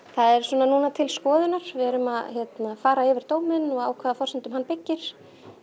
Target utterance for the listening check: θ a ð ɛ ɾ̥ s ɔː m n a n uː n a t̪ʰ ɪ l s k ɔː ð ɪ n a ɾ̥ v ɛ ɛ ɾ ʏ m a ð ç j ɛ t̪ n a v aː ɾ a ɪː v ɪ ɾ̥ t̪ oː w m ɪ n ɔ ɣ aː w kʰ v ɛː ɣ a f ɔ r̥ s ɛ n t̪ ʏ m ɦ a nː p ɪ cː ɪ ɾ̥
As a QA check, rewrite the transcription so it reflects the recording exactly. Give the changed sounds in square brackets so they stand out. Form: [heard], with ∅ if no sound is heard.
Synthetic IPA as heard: θ a ð ɛ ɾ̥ s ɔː [∅] n a n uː n a t̪ʰ ɪ l s k ɔː ð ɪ n a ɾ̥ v ɛ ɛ ɾ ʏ m a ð ç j ɛ t̪ n a [f] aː ɾ a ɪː v ɪ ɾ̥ t̪ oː w m ɪ n ɔ ɣ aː w kʰ v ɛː [ð] a f ɔ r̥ s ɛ n t̪ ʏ m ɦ a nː p ɪ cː ɪ ɾ̥